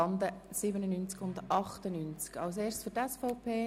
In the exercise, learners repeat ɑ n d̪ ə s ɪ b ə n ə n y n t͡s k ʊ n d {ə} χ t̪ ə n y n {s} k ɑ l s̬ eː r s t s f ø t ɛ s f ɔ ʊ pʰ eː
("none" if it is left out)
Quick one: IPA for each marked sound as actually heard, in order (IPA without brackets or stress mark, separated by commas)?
ɑ, t͡s